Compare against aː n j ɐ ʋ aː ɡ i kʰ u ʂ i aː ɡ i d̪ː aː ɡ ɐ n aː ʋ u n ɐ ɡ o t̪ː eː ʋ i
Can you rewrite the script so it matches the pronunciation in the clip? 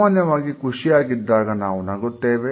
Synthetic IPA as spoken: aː n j ɐ ʋ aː ɡ i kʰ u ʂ i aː ɡ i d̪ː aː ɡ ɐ n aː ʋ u n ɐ ɡ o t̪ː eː ʋ e

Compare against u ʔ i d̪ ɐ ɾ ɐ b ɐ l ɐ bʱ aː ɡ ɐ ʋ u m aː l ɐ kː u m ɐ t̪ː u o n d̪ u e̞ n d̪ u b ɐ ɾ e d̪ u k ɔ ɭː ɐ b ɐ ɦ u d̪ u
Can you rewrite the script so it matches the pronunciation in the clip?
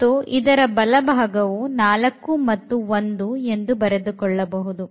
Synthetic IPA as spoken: u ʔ i d̪ ɐ ɾ ɐ b ɐ l ɐ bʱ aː ɡ ɐ ʋ u n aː l ɐ kː u m ɐ t̪ː u o n d̪ u e̞ n d̪ u b ɐ ɾ e d̪ u k ɔ ɭː ɐ b ɐ ɦ u d̪ u

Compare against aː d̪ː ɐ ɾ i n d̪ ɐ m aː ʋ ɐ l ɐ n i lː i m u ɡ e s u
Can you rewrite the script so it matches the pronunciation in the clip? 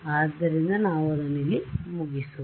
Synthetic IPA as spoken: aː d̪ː ɐ ɾ i n d̪ ɐ n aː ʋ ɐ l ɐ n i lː i m u ɡ i s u

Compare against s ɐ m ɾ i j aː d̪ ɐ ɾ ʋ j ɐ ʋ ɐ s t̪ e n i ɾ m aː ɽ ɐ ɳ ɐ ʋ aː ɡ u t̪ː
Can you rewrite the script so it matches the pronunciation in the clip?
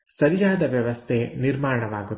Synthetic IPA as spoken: s ɐ ɾ i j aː d̪ ɐ ʋ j ɐ ʋ ɐ s t̪ʰ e n i ɾ m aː ɾ ɐ ɳ ɐ ʋ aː ɡ u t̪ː

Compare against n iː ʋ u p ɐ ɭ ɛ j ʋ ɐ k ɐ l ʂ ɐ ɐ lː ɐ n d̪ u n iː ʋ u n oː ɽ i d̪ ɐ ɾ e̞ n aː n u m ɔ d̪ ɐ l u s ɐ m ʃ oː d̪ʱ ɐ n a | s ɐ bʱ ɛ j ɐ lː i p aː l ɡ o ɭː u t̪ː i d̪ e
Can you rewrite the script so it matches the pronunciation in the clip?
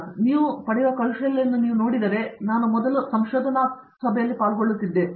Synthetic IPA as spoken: n iː ʋ u p ɐ ɽ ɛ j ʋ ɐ k ɐ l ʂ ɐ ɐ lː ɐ n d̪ u n iː ʋ u n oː ɽ i d̪ ɐ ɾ e̞ n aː n u m ɔ d̪ ɐ l u s ɐ m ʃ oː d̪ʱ ɐ n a | s ɐ bʱ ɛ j ɐ lː i p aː l ɡ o ɭː u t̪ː i d̪ː e

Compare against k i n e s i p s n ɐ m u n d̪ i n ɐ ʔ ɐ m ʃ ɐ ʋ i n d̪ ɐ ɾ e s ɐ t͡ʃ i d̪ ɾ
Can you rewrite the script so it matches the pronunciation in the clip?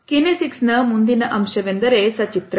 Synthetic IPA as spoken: k i n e s i k s n ɐ m u n d̪ i n ɐ ʔ ɐ m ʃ ɐ ʋ e n d̪ ɐ ɾ e s ɐ t͡ʃ i t̪ ɾ

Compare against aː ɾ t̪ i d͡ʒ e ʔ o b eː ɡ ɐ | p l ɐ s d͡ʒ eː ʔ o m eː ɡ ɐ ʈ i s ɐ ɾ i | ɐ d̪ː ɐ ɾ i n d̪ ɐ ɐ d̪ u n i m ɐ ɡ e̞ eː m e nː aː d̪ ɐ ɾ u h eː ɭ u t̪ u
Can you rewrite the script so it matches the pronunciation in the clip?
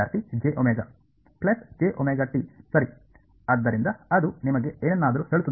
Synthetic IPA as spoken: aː ɾ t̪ i d͡ʒ e ʔ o m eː ɡ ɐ | p l ɐ s d͡ʒ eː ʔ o m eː ɡ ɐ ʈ i s ɐ ɾ i | ɐ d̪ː ɐ ɾ i n d̪ ɐ ɐ d̪ u n i m ɐ ɡ e̞ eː n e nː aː d̪ ɐ ɾ u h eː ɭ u t̪ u

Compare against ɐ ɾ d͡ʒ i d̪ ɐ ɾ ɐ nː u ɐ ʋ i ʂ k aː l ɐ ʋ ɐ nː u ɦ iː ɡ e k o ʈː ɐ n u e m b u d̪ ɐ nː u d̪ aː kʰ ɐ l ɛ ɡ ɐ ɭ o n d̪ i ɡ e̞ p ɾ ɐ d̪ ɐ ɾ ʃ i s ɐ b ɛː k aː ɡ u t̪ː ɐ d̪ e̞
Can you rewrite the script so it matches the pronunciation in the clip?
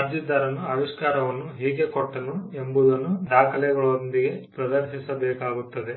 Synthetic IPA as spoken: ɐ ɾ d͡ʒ i d̪ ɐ ɾ ɐ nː u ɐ ʋ i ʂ k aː ɾ ɐ ʋ ɐ nː u ɦ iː ɡ e k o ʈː ɐ n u e m b u d̪ ɐ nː u d̪ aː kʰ ɐ l ɛ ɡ ɐ ɭ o n d̪ i ɡ e̞ p ɾ ɐ d̪ ɐ ɾ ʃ i s ɐ b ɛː k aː ɡ u t̪ː ɐ d̪ e̞

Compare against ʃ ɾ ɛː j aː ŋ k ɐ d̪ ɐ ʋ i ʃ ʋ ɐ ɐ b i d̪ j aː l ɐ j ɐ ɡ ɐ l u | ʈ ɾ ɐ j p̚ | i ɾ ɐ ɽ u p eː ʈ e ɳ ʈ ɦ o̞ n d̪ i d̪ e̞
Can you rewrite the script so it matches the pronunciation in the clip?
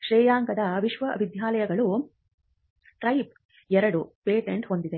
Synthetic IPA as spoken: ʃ ɾ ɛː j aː ŋ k ɐ d̪ ɐ ʋ i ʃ ʋ ɐ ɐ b i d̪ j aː l ɐ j ɐ ɡ ɐ ɭ u | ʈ ɾ ɐ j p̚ | ɛ ɾ ɐ ɽ u p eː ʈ e ɳ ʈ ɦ o̞ n d̪ i d̪ e̞

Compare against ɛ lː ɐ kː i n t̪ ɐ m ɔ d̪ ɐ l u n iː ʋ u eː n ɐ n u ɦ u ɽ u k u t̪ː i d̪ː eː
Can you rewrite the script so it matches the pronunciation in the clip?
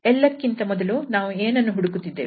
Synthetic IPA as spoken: ɛ lː ɐ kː i n t̪ ɐ m ɔ d̪ ɐ l u n aː ʋ u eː n ɐ nː u ɦ u ɽ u k u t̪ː i d̪ː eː

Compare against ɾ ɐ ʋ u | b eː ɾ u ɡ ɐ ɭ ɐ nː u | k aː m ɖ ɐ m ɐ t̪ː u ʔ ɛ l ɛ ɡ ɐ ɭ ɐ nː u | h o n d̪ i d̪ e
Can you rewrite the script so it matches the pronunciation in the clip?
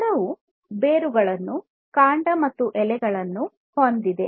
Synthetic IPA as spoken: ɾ ɐ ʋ u | b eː ɾ u ɡ ɐ ɭ ɐ nː u | k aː ɳ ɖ ɐ m ɐ t̪ː u ʔ ɛ l ɛ ɡ ɐ ɭ ɐ nː u | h o n d̪ i d̪ e

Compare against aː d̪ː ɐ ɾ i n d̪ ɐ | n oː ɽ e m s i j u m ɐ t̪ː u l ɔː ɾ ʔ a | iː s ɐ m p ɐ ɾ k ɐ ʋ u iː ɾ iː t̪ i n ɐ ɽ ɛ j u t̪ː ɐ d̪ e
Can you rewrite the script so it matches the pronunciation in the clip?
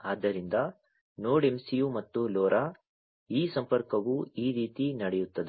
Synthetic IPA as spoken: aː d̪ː ɐ ɾ i n d̪ ɐ | n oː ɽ e m s i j u m ɐ t̪ː u l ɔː ɾ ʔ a | iː s ɐ m p ɐ ɾ k ɐ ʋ u iː ɾ iː t̪ i n ɐ ɽ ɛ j u t̪ː ɐ d̪ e

